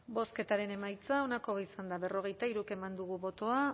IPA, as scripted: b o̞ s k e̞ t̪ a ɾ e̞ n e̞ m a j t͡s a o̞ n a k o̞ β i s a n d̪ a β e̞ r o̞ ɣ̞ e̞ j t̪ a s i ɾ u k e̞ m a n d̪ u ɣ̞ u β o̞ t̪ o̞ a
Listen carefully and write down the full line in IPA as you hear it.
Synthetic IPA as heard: b o̞ s k e̞ t̪ a ɾ e̞ n e̞ m a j t͡s a o̞ n a k o̞ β i s a n d̪ a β e̞ r o̞ ɣ̞ e̞ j t̪ a i ɾ u k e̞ m a n d̪ u ɣ̞ u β o̞ t̪ o̞ a

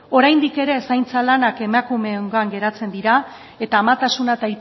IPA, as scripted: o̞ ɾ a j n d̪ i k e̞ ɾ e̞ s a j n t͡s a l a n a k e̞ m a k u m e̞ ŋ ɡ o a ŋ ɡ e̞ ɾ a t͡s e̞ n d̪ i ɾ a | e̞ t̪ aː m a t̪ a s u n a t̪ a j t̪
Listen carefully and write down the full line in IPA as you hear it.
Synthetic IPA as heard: o̞ ɾ a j n d̪ i k e̞ ɾ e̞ s a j n t͡s a l a n a k e̞ m a k u m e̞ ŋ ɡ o a ŋ ɡ e̞ ɾ a t͡s e̞ n d̪ i ɾ a | e̞ t̪ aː m a t̪ a s u n a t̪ a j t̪

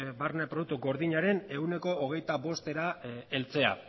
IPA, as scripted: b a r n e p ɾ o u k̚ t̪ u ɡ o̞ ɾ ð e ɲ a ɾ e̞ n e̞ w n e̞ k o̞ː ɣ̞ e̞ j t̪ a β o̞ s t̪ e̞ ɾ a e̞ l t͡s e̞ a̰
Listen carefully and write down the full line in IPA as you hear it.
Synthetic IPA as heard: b a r n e p ɾ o u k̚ t̪ u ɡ o̞ ɾ ð i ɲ a ɾ e̞ n e̞ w n e̞ k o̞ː ɣ̞ e̞ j t̪ a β o̞ s t̪ e̞ ɾ a e̞ l t͡s e̞ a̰

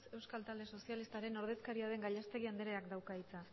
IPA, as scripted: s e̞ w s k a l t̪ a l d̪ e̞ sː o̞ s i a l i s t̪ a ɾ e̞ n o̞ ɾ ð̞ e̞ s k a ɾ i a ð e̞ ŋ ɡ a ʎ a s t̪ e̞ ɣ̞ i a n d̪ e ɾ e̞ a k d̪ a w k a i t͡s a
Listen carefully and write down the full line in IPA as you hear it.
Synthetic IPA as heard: s e̞ w s k a l t̪ a l d̪ e̞ s o̞ s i a l i s t̪ a ɾ e̞ n o̞ ɾ ð̞ e̞ s k a ɾ i a ð e̞ ŋ ɡ a ʎ a s t̪ e̞ ɣ̞ i a n d̪ e ɾ e̞ a k d̪ a w k a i t͡s a

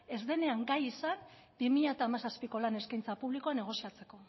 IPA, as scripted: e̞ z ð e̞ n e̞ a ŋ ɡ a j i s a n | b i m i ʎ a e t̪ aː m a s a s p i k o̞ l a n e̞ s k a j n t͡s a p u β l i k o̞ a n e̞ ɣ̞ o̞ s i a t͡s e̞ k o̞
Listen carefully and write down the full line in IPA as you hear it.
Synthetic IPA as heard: e̞ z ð e̞ n e̞ a ŋ ɡ a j i s a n | b i m i ʎ a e t̪ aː m a s a s p i k o̞ l a n e̞ s k a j n t͡s a p u β l i k o̞ a n e̞ ɣ̞ o̞ s i a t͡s e̞ k o̞

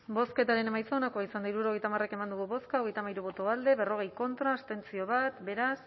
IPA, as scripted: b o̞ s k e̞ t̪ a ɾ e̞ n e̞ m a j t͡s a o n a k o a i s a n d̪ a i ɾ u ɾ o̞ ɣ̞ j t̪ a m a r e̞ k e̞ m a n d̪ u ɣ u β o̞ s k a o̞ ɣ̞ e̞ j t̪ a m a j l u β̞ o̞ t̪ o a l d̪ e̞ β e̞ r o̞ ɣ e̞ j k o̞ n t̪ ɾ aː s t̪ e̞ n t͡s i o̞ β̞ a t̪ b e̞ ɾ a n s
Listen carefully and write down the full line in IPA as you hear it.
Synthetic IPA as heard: b o̞ s k e̞ t̪ a ɾ e̞ n e̞ m a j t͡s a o n a k o a i s a n d̪ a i ɾ u ɾ o̞ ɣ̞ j t̪ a m a r e̞ k e̞ m a n d̪ u ɣ u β o̞ s k a o̞ ɣ̞ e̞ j t̪ a m a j ɾ u β̞ o̞ t̪ o a l d̪ e̞ β e̞ r o̞ ɣ e̞ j k o̞ n t̪ ɾ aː s t̪ e̞ n t͡s i o̞ β̞ a t̪ b e̞ ɾ a s

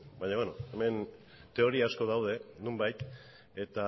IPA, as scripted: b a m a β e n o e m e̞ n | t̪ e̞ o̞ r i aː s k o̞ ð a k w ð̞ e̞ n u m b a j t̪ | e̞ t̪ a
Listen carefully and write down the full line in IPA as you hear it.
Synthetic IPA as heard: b a ɲ a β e n o e m e̞ n | t̪ e̞ o̞ ɾ i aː s k o̞ ð a w ð̞ e̞ n u m b a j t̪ | e̞ t̪ a

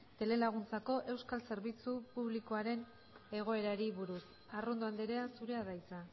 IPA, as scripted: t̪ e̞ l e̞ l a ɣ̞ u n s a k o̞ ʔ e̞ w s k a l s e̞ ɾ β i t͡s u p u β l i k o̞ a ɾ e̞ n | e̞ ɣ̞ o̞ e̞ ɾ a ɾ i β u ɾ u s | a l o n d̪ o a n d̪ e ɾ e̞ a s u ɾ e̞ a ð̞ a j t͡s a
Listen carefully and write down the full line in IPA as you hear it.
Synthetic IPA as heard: t̪ e̞ l e̞ l a ɣ̞ u n t͡s a k o̞ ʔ e̞ w s k a l s e̞ ɾ β i t͡s u p u β l i k o̞ a ɾ e̞ n | e̞ ɣ̞ o̞ e̞ ɾ a ɾ i β u ɾ u s | a r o n d̪ o a n d̪ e ɾ e̞ a s u ɾ e̞ a ð̞ a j t͡s a

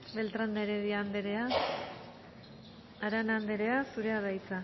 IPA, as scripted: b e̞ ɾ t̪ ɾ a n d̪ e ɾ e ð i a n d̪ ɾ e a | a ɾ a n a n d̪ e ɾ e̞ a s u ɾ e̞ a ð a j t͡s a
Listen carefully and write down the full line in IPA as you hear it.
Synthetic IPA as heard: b e̞ l t̪ ɾ a n d̪ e ɾ e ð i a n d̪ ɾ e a | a ɾ a n a n d̪ e ɾ e̞ a s u ɾ e̞ a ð a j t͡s a

